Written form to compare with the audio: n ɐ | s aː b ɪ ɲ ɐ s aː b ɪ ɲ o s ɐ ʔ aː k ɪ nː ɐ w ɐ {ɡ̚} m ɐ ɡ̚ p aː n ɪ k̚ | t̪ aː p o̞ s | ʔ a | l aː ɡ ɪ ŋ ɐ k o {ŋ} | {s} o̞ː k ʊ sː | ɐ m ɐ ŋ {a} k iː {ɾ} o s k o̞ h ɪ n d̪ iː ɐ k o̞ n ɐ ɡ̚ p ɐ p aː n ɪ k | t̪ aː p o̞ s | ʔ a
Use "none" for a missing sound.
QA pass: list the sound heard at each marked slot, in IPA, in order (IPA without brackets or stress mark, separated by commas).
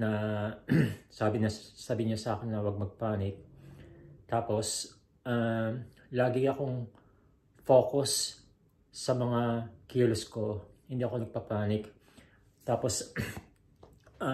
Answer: ɡ̚, ŋ, f, a, l